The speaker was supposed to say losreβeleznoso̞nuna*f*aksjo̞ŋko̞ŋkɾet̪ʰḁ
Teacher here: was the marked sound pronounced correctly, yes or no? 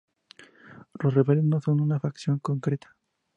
yes